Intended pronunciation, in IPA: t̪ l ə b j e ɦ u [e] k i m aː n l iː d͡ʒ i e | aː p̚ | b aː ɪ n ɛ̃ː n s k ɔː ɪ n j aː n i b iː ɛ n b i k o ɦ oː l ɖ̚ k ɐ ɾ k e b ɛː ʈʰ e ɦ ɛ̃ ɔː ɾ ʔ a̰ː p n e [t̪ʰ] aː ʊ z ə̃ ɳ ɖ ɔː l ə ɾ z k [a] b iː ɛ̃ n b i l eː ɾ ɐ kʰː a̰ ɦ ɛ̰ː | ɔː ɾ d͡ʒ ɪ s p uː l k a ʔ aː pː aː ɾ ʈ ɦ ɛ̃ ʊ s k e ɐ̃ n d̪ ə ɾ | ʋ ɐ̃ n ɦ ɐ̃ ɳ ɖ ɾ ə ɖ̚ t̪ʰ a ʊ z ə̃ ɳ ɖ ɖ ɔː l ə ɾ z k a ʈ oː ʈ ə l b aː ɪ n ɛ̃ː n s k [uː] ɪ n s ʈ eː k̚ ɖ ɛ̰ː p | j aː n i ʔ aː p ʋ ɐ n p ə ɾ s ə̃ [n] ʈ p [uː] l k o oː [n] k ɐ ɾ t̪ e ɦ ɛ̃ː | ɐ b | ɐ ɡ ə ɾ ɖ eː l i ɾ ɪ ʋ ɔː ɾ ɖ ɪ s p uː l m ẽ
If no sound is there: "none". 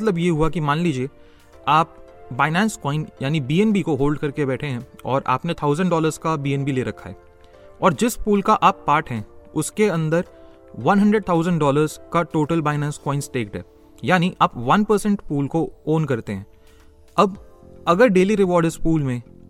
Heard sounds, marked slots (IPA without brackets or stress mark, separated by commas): a, t̪ʰ, a, ɔː, ɳ, uː, n